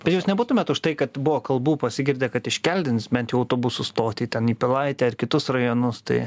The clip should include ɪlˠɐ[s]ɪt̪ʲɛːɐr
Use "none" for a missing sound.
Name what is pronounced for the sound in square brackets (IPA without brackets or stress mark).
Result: none